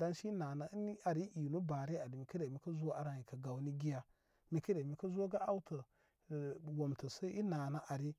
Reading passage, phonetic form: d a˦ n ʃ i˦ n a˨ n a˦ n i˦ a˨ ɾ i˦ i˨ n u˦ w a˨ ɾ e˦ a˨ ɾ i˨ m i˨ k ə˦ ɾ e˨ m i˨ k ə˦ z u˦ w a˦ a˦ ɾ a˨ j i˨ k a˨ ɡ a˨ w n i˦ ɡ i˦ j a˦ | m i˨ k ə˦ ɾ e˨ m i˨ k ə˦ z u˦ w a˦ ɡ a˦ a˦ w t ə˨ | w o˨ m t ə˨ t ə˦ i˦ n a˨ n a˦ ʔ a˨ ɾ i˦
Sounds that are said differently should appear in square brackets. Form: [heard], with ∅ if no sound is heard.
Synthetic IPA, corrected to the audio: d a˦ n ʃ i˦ n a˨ n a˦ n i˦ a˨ ɾ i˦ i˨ n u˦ [b] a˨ ɾ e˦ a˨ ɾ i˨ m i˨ k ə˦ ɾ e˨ m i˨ k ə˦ z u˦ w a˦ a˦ ɾ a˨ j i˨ k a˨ ɡ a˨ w n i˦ ɡ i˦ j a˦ | m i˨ k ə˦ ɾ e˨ m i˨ k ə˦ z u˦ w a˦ ɡ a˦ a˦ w t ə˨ | w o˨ m t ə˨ [s] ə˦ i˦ n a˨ n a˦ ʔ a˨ ɾ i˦

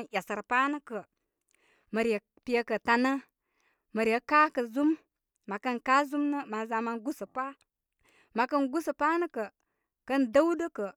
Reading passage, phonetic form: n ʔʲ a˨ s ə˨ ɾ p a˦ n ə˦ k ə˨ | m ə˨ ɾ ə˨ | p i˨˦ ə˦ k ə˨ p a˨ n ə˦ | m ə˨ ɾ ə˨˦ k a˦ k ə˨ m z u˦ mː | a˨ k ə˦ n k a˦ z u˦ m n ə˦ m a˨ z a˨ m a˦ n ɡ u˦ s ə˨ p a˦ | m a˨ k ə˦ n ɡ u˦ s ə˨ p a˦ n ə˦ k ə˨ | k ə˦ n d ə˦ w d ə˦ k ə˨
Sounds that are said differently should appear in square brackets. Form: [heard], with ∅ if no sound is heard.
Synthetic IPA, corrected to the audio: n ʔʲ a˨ s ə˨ ɾ p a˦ n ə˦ k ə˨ | m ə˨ ɾ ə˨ | p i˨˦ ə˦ k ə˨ [t] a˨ n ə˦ | m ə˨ ɾ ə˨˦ k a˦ k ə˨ [∅] z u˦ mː | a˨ k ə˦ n k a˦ z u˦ m n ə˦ m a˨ z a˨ m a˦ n ɡ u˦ s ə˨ p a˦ | m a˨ k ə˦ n ɡ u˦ s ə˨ p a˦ n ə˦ k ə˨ | k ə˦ n d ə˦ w d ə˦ k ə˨

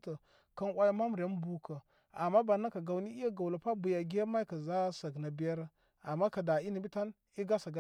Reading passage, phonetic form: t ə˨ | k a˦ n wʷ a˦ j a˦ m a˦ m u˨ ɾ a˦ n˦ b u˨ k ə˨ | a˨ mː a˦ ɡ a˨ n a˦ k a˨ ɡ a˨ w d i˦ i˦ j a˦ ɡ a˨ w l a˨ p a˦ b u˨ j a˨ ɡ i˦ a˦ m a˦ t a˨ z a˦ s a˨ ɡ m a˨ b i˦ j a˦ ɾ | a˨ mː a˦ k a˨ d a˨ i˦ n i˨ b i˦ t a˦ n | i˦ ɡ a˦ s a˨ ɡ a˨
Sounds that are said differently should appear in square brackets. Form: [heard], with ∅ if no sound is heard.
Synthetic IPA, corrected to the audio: t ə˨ | k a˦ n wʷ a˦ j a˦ m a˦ m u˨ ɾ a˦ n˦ b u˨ k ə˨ | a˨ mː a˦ [b] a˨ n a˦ k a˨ ɡ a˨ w [n] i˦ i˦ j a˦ ɡ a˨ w l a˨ p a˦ b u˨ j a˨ ɡ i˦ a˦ m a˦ [k] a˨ z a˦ s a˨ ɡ [n] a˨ b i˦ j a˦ ɾ | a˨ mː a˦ k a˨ d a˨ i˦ n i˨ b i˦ t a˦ n | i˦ ɡ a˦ s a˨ ɡ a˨

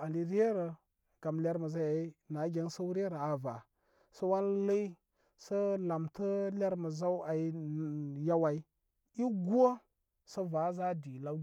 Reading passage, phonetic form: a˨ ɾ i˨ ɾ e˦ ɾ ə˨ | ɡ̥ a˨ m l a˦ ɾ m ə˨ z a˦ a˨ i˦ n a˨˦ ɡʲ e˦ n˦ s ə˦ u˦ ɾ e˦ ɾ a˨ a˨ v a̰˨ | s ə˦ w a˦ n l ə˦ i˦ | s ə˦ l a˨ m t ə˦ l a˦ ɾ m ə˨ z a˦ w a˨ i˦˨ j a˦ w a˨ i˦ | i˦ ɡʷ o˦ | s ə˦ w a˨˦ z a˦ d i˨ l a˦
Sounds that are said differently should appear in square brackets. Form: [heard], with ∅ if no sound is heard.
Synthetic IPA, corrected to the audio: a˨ [l] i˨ ɾ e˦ ɾ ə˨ | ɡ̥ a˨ m l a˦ ɾ m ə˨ z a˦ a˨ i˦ n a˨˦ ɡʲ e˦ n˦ s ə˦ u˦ ɾ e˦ ɾ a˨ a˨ v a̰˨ | s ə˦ w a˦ n l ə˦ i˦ | s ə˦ l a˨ m t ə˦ l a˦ ɾ m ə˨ z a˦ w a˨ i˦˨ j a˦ w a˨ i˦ | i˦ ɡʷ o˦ | s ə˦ [v] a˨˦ z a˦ d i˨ l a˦

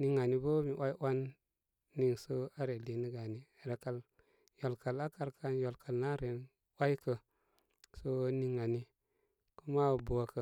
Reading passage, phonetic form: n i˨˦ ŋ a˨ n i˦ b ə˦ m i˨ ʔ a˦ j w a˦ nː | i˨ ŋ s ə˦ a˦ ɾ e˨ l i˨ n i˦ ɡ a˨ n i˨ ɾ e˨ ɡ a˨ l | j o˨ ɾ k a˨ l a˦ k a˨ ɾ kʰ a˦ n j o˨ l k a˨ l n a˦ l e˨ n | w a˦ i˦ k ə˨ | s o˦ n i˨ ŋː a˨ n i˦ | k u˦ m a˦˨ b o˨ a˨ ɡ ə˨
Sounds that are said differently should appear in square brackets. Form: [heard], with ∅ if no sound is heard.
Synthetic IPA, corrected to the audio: n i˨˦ ŋ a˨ n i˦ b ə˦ m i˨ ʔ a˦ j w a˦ nː | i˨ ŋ s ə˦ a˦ ɾ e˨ l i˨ n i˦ ɡ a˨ n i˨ ɾ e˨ [k] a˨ l | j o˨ [l] k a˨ l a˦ k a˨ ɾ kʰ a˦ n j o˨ l k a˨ l n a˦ [ɾ] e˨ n | w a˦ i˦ k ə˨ | s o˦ n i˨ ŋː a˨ n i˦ | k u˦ m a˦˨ b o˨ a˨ [k] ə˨

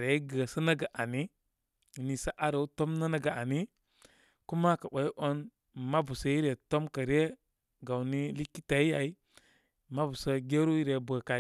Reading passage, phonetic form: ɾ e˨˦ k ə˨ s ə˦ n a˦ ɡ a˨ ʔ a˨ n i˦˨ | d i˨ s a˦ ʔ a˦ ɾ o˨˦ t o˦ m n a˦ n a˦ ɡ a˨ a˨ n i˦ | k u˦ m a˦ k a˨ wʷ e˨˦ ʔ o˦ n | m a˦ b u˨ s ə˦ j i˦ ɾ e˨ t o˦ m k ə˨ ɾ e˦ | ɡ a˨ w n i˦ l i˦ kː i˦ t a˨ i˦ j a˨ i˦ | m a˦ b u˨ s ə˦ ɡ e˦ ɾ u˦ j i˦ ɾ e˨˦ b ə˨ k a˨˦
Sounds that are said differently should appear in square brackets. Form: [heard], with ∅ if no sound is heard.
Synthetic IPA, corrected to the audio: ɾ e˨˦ [ɡ] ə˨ s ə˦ n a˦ ɡ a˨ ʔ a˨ n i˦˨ | [n] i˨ s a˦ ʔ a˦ ɾ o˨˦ t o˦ m n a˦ n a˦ ɡ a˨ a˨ n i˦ | k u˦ m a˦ k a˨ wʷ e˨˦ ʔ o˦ n | m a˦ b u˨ s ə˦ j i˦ ɾ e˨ t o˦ m k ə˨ ɾ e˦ | ɡ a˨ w n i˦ l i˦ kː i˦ t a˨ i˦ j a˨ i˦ | m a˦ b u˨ s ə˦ ɡ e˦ ɾ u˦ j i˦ ɾ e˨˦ b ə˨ k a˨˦

